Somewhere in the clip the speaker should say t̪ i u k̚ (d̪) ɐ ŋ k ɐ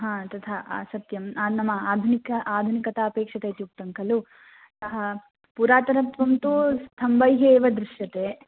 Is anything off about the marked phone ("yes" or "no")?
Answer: yes